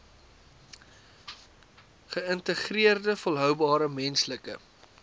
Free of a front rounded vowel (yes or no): no